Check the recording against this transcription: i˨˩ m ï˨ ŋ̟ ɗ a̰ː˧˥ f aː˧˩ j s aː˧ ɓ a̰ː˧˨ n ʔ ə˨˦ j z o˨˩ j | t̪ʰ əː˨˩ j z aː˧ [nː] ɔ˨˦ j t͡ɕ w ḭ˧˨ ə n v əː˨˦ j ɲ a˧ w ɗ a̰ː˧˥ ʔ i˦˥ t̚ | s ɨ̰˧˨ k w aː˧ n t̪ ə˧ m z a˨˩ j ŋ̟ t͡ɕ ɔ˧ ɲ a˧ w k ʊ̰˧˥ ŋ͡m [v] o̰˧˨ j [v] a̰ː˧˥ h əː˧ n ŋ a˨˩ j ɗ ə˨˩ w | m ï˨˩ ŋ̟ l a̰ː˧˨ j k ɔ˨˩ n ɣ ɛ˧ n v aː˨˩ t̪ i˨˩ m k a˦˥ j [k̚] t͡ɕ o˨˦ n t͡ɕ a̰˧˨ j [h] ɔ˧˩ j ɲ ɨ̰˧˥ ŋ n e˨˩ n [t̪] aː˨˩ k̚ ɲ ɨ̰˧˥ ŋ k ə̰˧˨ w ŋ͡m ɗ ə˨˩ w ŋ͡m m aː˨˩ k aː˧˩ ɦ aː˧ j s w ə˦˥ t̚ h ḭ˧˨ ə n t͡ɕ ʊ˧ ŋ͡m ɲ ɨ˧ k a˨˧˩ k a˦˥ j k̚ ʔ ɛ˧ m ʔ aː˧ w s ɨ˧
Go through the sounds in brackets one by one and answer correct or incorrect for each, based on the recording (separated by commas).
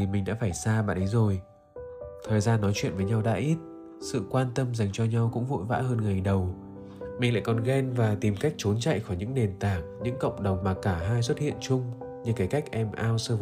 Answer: correct, correct, correct, correct, incorrect, correct